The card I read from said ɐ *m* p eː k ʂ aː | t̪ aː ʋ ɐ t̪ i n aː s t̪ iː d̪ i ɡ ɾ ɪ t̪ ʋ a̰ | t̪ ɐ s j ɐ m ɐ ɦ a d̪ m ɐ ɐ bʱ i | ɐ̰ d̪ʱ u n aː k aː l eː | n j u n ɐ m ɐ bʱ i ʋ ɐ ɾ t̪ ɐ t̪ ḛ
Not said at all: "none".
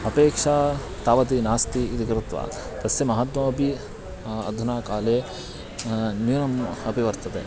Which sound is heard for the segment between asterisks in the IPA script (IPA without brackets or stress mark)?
none